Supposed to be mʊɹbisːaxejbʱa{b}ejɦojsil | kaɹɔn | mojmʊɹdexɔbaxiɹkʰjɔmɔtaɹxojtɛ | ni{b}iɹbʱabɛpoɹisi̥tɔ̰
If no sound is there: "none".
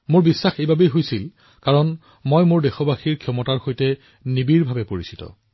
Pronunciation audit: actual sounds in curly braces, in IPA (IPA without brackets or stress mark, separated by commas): b, b